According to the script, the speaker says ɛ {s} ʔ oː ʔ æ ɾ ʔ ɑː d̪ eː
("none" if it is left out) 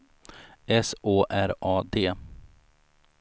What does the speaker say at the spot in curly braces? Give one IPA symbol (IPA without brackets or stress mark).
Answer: s